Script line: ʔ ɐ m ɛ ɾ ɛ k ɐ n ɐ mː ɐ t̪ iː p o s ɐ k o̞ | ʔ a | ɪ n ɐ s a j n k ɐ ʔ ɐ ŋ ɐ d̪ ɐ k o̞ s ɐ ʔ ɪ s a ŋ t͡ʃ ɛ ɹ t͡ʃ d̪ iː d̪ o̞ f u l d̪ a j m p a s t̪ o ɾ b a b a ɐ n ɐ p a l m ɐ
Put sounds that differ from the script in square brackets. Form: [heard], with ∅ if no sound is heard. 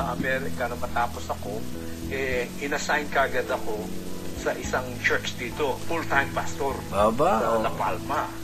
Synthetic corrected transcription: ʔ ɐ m ɛ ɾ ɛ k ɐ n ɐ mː ɐ t̪ [aː] p o s ɐ k o̞ | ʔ [ɛ] | ɪ n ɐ s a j n k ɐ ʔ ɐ [ɡ] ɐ d̪ ɐ k o̞ s ɐ ʔ ɪ s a ŋ t͡ʃ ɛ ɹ t͡ʃ d̪ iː [t̪] o̞ f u l [t̪] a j m p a s t̪ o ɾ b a b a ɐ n ɐ p a l m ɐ